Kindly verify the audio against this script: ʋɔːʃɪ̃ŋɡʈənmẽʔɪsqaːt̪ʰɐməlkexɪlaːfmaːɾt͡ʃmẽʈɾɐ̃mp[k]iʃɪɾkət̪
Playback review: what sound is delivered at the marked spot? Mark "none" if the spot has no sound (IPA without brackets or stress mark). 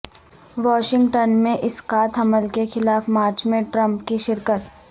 k